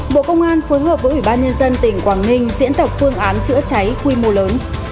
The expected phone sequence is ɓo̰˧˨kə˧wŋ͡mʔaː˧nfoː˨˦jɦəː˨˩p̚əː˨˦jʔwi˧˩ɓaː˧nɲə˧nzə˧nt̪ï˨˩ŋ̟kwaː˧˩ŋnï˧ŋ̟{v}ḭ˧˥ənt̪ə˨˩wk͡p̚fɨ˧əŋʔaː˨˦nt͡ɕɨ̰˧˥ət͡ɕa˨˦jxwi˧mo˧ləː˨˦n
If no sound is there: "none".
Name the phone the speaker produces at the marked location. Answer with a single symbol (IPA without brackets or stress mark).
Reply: z